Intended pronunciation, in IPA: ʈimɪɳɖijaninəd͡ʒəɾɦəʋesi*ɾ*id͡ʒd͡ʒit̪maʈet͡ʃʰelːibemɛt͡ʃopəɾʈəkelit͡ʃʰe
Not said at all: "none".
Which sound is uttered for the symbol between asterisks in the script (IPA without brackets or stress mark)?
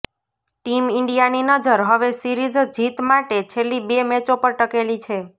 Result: ɾ